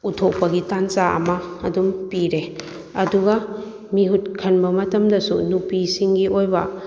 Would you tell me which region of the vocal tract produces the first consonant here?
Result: tongue tip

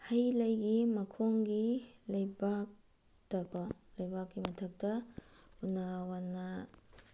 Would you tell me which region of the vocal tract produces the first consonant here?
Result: throat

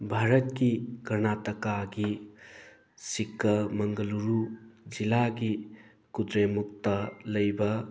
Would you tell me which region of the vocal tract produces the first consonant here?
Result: lips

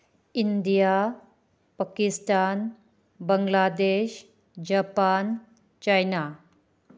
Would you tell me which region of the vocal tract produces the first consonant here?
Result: tongue tip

